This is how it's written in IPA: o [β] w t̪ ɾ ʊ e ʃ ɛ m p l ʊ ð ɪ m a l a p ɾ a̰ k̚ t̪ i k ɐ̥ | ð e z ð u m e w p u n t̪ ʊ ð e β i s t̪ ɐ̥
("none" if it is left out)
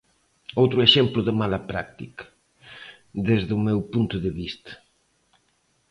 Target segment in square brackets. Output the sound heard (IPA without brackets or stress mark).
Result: none